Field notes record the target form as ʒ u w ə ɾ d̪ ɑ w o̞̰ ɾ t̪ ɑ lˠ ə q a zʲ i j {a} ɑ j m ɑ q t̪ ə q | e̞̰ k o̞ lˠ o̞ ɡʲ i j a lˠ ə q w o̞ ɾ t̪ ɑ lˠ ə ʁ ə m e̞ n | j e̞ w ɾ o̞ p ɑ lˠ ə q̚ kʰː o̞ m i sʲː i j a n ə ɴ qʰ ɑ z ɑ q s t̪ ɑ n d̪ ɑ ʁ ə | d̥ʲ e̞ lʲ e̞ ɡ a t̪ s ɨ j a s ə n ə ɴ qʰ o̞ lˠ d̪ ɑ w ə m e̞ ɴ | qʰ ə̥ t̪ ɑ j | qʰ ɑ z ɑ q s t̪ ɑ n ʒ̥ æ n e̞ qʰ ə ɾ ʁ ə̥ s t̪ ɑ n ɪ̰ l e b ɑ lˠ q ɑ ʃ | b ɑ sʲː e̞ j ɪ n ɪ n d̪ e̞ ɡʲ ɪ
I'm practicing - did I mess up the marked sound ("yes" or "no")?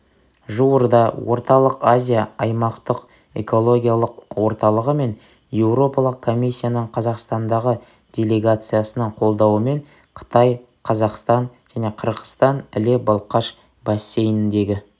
no